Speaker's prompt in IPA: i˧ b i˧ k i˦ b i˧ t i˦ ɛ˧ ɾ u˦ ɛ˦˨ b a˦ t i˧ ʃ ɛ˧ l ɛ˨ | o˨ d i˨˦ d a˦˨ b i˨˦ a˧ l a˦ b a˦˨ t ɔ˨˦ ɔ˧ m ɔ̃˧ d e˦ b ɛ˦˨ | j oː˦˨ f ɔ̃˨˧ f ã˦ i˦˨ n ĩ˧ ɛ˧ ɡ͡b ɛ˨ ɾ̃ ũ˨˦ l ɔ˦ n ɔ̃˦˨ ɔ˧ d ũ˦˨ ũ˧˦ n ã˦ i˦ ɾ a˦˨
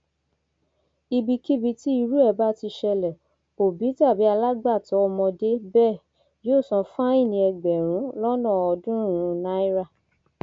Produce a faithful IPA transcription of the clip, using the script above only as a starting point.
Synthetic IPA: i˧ b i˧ k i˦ b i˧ t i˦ i˧ ɾ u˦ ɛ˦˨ b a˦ t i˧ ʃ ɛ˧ l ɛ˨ | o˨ b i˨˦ t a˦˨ b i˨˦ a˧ l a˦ ɡ͡b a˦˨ t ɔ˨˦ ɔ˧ m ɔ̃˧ d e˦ b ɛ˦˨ | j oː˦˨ s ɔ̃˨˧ f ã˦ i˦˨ n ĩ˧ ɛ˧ ɡ͡b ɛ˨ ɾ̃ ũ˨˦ l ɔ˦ n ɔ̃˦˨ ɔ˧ d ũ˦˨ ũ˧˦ n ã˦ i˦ ɾ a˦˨